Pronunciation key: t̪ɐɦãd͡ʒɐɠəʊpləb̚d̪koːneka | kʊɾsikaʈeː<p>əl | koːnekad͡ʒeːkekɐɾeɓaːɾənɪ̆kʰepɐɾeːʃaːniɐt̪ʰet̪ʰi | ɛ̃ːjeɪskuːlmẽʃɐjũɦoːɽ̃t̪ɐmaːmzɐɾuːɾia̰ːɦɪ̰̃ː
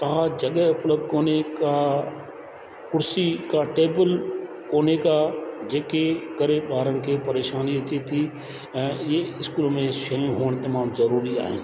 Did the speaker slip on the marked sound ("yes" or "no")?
yes